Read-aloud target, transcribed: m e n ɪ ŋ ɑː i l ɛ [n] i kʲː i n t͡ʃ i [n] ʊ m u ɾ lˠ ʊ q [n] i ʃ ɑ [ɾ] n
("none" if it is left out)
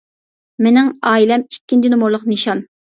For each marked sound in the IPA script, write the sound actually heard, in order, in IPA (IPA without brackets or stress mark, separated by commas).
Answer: m, n, n, none